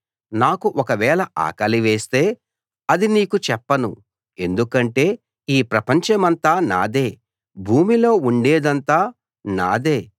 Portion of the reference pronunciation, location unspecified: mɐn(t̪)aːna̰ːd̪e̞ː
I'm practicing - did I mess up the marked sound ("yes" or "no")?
no